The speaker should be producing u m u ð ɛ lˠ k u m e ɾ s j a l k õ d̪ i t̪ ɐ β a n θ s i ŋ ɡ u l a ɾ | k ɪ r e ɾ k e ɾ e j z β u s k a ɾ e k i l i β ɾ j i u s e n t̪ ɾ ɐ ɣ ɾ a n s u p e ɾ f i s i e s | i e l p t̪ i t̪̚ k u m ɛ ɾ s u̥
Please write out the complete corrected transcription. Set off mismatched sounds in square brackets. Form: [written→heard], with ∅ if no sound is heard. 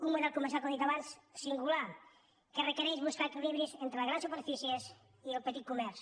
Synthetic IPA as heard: u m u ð ɛ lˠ k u m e ɾ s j a l k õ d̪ i t̪ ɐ β a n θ s i ŋ ɡ u l a ɾ | k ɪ r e [ɾ→∅] k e ɾ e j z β u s k a ɾ e k i l i β ɾ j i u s e n t̪ ɾ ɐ ɣ ɾ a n s u p e ɾ f i s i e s | i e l p t̪ i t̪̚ k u m ɛ ɾ s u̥